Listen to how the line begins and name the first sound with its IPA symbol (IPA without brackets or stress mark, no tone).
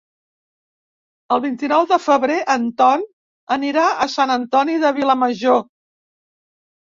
ə